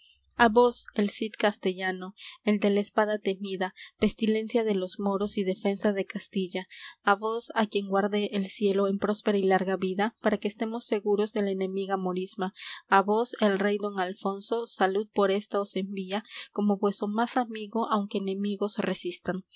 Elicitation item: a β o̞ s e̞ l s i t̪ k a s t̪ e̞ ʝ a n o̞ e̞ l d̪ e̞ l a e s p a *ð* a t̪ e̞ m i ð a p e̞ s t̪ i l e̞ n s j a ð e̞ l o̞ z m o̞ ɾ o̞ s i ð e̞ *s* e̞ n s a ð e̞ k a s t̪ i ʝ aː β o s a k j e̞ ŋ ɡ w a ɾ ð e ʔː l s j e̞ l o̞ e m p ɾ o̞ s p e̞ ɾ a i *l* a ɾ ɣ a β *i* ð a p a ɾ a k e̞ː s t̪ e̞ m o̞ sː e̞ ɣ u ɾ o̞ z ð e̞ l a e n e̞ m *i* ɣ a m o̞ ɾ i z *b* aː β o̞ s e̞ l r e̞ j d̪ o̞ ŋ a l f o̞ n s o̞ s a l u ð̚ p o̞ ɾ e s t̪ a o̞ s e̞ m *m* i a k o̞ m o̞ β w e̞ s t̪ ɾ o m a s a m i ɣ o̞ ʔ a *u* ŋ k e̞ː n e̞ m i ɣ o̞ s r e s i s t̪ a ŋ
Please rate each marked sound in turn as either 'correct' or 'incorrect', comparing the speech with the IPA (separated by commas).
correct, incorrect, correct, correct, correct, incorrect, incorrect, incorrect